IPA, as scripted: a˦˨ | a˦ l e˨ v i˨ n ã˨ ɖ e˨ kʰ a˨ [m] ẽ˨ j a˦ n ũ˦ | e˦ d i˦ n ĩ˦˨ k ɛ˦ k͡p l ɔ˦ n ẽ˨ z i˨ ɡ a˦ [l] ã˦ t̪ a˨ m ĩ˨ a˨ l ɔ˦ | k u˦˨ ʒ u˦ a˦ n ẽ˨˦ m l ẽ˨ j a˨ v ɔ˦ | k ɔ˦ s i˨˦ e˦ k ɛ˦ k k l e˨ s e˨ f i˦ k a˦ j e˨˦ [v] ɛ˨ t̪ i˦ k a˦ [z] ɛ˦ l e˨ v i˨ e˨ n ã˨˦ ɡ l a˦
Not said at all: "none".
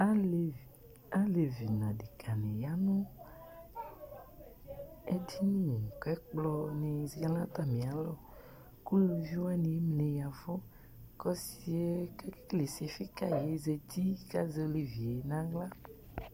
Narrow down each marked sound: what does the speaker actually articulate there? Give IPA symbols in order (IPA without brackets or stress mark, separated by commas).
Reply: n, l, z, z